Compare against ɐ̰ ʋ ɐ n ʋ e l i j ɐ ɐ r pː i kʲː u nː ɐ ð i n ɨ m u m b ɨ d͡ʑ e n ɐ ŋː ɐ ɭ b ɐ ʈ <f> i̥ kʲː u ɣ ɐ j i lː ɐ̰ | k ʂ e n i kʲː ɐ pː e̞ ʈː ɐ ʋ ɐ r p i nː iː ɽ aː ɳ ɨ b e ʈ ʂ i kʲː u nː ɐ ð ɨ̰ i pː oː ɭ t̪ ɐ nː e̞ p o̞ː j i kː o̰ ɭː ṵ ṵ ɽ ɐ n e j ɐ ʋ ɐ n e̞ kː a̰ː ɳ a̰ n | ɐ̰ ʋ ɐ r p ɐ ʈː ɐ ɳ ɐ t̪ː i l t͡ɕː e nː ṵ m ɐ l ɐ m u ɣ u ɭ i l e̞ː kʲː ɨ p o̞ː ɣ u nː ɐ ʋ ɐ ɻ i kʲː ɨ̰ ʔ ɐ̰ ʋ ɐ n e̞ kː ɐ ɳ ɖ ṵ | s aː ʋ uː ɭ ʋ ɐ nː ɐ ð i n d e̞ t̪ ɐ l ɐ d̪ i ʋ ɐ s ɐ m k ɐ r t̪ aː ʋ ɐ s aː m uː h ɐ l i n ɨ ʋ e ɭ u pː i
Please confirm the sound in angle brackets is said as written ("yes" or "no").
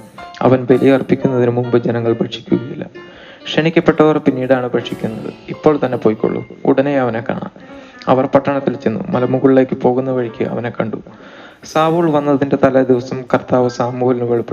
no